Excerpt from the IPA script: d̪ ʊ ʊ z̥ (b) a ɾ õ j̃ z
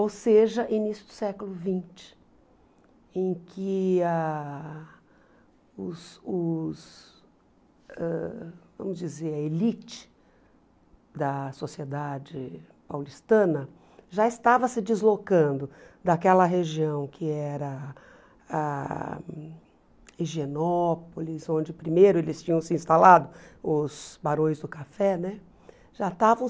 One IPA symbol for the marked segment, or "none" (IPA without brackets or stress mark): b